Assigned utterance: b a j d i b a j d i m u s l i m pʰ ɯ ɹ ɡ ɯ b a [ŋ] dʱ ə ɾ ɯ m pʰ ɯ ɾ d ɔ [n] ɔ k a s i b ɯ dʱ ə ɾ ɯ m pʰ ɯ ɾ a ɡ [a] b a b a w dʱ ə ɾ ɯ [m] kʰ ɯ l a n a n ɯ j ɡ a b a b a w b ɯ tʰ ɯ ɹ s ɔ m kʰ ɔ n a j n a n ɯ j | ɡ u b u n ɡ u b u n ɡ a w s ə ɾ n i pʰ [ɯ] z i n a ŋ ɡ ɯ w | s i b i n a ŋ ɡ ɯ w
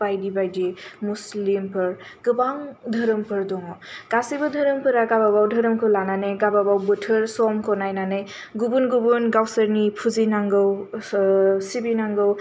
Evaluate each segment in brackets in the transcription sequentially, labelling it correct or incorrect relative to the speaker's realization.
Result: correct, incorrect: ŋ, correct, correct, incorrect: u

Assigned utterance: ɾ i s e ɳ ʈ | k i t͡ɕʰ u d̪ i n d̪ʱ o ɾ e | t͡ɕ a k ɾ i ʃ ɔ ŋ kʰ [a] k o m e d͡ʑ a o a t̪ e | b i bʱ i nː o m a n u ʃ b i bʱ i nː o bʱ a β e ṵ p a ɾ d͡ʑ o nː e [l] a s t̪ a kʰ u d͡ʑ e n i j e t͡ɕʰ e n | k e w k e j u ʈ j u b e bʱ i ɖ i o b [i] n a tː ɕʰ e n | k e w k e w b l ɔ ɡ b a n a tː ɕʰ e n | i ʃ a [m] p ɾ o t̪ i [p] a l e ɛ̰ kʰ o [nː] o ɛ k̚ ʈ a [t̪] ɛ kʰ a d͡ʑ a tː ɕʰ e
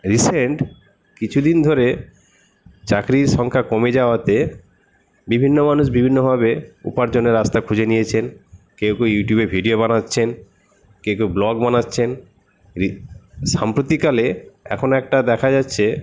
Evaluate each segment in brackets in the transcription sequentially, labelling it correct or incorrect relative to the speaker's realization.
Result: correct, incorrect: ɾ, incorrect: a, correct, incorrect: k, incorrect: n, incorrect: d̪

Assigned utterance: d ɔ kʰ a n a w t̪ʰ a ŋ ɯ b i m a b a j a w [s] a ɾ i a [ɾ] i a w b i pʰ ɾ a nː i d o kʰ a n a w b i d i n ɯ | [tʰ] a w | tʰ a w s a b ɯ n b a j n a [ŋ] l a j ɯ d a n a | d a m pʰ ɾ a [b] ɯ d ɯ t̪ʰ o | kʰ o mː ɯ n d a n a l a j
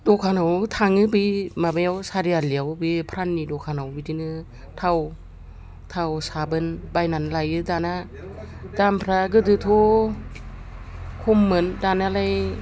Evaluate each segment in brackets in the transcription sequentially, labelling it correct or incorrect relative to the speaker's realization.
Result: correct, incorrect: l, correct, incorrect: n, incorrect: ɡ

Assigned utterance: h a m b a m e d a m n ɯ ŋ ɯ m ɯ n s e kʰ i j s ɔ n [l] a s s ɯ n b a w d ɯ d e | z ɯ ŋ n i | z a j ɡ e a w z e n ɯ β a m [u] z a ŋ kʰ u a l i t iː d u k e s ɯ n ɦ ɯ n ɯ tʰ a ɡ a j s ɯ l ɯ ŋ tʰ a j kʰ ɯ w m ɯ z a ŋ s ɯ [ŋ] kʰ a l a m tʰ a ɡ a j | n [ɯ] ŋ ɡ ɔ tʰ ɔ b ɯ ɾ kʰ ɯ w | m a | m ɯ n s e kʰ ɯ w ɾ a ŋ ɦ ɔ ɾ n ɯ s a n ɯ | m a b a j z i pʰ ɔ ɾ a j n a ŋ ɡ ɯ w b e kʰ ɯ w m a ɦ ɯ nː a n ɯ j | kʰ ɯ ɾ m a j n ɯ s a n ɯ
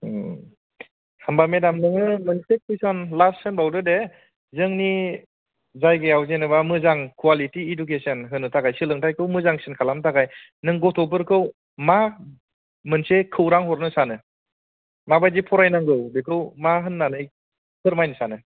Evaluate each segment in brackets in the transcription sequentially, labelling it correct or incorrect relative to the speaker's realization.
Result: correct, incorrect: ɯ, incorrect: n, correct

